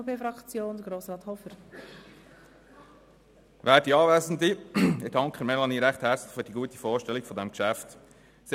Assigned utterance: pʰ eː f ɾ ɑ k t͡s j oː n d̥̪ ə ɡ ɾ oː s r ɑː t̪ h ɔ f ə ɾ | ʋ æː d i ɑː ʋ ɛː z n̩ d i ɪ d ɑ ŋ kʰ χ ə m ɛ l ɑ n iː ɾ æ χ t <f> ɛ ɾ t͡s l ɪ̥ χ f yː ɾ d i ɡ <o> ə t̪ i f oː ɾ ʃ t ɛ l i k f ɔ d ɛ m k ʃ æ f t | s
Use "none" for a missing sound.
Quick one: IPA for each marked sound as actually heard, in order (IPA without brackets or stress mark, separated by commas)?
h, u